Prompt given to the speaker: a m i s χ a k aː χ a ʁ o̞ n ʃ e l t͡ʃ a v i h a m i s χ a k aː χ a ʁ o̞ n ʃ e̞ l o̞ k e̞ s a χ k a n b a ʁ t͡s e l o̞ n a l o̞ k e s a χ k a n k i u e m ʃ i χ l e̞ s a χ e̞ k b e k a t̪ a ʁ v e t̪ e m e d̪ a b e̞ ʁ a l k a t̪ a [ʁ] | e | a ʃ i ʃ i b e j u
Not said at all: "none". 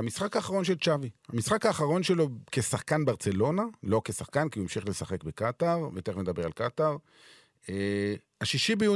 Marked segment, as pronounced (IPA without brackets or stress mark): ʁ